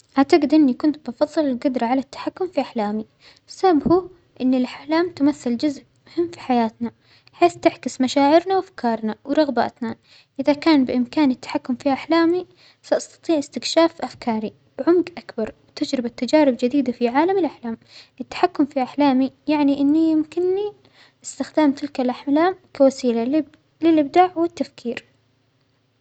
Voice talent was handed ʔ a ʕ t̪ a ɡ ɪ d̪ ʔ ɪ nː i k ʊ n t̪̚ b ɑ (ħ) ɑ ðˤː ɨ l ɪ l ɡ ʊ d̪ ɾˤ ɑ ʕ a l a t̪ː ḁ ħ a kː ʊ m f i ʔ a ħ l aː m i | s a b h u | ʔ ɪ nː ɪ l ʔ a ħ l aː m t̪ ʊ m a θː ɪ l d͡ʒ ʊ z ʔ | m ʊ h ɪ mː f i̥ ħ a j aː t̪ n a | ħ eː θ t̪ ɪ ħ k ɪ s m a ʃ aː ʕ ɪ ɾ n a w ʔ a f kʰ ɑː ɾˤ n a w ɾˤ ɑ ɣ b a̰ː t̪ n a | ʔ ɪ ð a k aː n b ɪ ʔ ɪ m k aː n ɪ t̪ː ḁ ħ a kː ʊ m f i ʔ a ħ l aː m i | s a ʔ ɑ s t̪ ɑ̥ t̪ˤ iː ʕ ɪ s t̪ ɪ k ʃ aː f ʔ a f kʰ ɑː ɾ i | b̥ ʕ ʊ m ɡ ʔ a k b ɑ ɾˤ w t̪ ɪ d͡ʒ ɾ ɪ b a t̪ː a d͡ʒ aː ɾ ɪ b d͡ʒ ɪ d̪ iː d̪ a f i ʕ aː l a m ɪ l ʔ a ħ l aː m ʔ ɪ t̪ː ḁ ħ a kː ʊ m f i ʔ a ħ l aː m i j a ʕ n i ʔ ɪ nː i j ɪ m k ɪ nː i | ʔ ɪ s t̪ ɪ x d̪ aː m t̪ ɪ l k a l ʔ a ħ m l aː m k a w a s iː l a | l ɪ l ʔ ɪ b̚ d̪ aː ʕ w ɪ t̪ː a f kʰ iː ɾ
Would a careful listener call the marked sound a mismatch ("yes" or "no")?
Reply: yes